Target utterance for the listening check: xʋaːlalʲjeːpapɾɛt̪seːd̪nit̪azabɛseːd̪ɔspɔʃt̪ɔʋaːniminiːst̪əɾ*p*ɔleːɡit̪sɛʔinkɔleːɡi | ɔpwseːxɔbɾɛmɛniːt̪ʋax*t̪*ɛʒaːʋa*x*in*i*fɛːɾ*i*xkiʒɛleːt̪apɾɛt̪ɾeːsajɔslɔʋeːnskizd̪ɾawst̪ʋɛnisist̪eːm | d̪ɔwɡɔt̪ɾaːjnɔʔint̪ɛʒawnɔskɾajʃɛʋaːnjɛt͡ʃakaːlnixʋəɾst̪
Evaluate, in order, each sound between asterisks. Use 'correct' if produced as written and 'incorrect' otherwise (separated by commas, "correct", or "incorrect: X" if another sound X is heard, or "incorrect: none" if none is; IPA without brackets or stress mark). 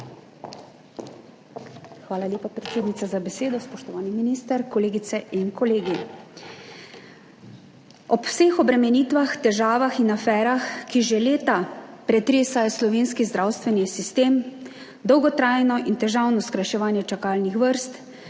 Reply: incorrect: k, correct, correct, incorrect: a, incorrect: a